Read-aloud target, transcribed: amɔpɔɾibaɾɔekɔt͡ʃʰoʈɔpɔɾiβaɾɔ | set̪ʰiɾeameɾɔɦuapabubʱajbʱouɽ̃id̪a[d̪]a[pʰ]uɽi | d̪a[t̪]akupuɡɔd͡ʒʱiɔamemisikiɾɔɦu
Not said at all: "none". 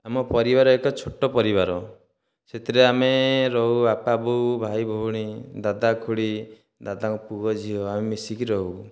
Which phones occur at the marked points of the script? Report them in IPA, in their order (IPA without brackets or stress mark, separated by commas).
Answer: d̪, kʰ, d̪